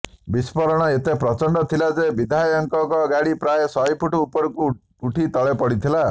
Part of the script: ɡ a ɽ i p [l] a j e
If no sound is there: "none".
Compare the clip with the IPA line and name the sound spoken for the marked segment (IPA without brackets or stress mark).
ɾ